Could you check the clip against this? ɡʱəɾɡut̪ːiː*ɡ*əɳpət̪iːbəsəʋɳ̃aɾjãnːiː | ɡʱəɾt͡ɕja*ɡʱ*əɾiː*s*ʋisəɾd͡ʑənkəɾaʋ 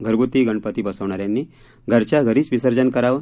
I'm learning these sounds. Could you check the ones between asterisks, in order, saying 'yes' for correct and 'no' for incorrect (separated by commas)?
yes, yes, no